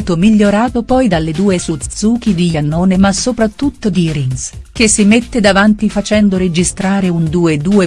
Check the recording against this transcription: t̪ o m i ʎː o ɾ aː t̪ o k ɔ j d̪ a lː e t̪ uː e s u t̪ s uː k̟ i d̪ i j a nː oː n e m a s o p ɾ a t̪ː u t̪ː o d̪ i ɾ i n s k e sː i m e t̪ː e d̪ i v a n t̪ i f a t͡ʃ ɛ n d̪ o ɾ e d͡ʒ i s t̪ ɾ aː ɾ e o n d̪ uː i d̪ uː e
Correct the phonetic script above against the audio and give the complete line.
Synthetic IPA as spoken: t̪ o m i ʎː o ɾ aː t̪ o p ɔ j d̪ a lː e d̪ uː e s u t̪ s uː k̟ i d̪ i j a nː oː n e m a s o p ɾ a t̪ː u t̪ː o d̪ i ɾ i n s k e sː i m e t̪ː e d̪ a v a n t̪ i f a t͡ʃ ɛ n d̪ o ɾ e d͡ʒ i s t̪ ɾ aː ɾ e u n d̪ uː e d̪ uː e